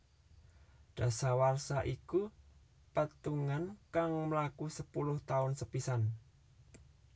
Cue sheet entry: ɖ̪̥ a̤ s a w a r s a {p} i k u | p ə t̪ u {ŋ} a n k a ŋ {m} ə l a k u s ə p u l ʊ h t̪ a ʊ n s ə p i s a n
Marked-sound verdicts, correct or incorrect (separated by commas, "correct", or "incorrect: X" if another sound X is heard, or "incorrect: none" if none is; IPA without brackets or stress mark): incorrect: ʔ, correct, correct